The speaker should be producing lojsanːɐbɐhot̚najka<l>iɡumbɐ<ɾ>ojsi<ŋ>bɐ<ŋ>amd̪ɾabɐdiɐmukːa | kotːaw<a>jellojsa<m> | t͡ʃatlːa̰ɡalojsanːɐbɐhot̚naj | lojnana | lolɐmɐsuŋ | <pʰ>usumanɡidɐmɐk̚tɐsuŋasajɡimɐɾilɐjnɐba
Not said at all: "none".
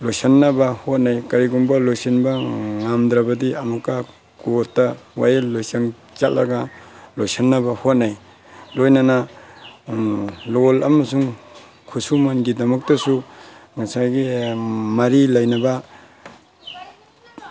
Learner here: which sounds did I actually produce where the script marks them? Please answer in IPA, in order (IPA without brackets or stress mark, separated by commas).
ɾ, l, n, ŋ, a, ŋ, kʰ